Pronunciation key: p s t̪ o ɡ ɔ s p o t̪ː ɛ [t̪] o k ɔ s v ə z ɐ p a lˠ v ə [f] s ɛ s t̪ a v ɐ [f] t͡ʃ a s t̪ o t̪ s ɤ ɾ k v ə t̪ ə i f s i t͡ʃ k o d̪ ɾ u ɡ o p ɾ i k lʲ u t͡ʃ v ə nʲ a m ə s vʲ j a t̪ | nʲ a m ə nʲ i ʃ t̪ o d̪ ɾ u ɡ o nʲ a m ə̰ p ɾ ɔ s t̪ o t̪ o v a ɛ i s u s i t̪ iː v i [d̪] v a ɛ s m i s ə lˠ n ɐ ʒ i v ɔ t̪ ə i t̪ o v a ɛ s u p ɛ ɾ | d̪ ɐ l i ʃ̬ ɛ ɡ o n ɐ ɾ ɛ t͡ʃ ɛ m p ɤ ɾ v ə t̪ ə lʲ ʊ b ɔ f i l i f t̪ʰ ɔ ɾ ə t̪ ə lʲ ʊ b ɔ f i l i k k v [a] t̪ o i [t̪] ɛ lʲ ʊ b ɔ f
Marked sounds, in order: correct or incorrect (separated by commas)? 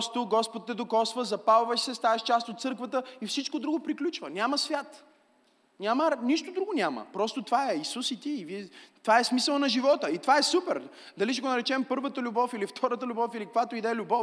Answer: incorrect, incorrect, incorrect, incorrect, correct, incorrect